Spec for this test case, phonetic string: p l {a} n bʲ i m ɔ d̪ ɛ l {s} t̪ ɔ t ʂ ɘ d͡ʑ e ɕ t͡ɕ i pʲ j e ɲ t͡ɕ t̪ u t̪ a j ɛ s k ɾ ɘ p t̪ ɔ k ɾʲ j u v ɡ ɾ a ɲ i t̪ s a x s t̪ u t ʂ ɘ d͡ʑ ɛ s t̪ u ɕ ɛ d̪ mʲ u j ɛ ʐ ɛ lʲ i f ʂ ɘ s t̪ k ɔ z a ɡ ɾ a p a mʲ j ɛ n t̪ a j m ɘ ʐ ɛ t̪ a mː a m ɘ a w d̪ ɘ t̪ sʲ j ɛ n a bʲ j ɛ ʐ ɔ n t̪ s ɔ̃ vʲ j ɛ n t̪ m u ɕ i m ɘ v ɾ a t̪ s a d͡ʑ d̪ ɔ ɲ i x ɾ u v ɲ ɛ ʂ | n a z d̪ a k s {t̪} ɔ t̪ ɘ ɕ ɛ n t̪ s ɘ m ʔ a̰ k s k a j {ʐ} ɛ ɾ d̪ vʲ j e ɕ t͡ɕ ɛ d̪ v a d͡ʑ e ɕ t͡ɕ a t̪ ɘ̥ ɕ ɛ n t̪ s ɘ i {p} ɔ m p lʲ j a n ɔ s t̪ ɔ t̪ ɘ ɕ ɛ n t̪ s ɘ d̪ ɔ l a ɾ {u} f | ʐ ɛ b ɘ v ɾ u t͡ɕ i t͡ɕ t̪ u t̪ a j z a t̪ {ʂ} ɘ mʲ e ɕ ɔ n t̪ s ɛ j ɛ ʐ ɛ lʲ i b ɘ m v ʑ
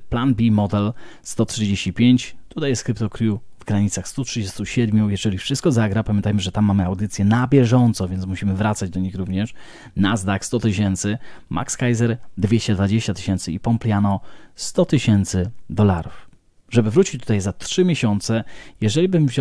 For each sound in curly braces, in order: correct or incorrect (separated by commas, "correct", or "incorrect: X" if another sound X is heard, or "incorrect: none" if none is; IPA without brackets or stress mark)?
correct, correct, correct, incorrect: z, correct, correct, correct